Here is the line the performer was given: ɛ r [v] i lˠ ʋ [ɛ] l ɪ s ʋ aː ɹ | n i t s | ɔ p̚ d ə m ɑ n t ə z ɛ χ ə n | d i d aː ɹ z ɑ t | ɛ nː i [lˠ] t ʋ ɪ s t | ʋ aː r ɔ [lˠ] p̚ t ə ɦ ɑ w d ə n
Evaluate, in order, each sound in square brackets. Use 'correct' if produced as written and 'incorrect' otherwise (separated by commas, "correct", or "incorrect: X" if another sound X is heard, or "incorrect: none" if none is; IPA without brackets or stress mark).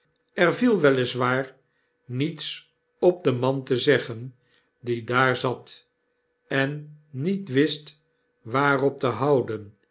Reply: correct, correct, incorrect: none, incorrect: none